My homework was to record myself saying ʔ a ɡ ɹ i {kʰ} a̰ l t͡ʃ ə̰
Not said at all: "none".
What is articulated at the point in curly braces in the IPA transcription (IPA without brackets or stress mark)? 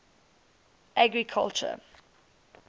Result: kʰ